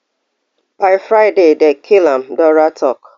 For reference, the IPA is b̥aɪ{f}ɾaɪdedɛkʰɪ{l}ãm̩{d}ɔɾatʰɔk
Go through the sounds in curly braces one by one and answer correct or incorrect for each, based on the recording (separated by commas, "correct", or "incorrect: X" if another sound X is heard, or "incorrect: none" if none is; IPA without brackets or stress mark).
correct, correct, correct